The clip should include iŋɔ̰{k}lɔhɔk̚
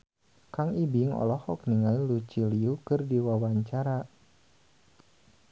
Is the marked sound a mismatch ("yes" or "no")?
yes